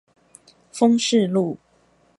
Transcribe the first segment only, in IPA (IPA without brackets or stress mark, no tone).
f